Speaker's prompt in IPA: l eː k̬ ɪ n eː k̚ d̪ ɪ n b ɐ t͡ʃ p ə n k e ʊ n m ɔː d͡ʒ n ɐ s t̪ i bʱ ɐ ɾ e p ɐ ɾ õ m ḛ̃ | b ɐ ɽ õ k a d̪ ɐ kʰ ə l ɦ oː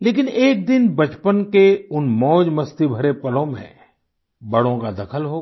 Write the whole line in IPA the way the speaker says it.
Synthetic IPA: l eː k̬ ɪ n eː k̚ d̪ ɪ n b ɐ t͡ʃ p ə n k e ʊ n m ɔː d͡ʒ m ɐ s t̪ i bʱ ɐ ɾ e p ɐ l õ m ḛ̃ | b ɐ ɽ õ k a d̪ ɐ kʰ ə l ɦ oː